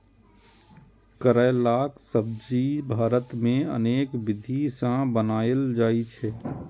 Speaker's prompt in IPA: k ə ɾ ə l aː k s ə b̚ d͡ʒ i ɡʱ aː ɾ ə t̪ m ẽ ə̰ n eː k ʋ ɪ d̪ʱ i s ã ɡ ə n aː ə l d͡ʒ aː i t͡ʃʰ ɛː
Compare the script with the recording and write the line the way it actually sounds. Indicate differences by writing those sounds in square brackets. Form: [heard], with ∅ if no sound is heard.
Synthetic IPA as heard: k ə ɾ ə l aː k s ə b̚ d͡ʒ i [bʱ] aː ɾ ə t̪ m ẽ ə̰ n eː k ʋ ɪ d̪ʱ i s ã [b] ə n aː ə l d͡ʒ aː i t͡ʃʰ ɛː